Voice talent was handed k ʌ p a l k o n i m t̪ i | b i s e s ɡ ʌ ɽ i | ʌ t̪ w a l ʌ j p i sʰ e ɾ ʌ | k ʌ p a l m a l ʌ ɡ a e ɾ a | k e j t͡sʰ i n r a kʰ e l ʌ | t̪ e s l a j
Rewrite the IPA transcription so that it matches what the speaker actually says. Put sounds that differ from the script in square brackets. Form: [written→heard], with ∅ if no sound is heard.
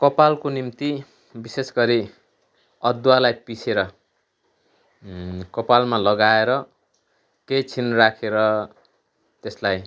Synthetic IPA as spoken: k ʌ p a l k o n i m t̪ i | b i s e s ɡ ʌ [ɽ→ɾ] i | ʌ [t̪→d̪] w a l [ʌ→a] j p i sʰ e ɾ ʌ | k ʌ p a l m a l ʌ ɡ a e ɾ [a→ʌ] | k e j t͡sʰ i n r a kʰ e [l→ɾ] ʌ | t̪ e s l a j